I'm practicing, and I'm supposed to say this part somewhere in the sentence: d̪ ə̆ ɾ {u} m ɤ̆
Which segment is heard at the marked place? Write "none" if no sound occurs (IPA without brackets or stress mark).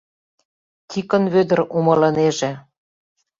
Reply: u